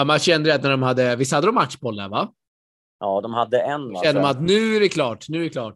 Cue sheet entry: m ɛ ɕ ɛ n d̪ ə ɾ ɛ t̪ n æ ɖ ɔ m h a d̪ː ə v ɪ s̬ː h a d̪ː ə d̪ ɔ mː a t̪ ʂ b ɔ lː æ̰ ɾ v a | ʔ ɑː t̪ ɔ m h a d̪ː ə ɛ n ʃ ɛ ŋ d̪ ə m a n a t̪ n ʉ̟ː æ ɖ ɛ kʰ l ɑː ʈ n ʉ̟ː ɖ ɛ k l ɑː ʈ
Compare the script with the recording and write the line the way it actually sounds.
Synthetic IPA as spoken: m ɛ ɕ ɛ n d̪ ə ɾ ɛ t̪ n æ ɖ ɔ m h a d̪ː ə v ɪ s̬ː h a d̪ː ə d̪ ɔ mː a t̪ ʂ b ɔ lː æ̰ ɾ v a | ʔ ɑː d̪ ɔ m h a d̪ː ə ɛ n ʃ ɛ n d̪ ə m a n a t̪ n ʉ̟ː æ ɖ ɛ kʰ l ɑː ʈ n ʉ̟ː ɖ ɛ k l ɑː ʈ